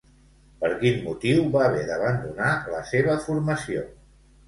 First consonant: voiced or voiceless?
voiceless